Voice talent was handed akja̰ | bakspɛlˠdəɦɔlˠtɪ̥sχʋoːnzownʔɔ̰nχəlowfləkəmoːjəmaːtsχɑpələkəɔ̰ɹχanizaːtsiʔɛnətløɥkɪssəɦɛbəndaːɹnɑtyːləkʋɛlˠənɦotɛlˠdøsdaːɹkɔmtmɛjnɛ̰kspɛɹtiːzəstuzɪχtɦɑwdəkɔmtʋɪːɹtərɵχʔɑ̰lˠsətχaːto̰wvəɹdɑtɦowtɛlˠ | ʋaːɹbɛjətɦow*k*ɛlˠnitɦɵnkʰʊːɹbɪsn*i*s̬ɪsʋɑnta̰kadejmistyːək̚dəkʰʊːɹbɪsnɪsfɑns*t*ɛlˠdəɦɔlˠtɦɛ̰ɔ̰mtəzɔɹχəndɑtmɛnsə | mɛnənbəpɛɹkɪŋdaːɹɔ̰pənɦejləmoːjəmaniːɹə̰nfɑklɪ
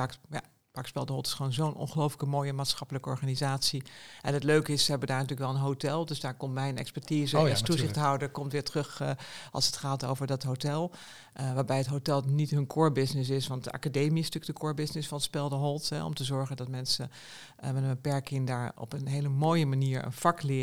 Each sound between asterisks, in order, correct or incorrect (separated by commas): incorrect, incorrect, incorrect